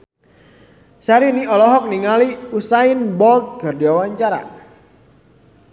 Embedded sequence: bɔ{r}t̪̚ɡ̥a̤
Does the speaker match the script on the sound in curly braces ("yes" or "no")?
no